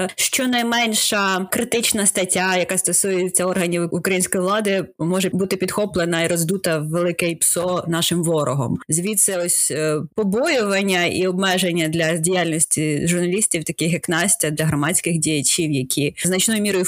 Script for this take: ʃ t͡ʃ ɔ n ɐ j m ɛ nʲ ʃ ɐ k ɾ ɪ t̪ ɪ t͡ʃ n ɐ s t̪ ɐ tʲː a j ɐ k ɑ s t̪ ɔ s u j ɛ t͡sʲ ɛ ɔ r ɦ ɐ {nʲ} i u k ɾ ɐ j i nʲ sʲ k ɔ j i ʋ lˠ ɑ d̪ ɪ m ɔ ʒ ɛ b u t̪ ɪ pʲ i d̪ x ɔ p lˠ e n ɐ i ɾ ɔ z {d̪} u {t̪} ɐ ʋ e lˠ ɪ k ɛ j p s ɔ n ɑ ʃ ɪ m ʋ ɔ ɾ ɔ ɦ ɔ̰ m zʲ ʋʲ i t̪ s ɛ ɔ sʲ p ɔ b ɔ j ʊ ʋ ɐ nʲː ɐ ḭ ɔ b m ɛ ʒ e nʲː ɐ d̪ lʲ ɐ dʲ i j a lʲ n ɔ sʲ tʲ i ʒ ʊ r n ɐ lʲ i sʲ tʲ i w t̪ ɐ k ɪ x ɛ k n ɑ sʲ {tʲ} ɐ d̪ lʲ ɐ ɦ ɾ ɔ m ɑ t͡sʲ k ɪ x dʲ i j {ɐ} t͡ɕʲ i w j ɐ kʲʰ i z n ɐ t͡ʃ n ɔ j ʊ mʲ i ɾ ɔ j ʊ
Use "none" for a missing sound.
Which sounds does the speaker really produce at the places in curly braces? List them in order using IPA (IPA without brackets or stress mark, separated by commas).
nʲ, d̪, t̪, tʲ, ɐ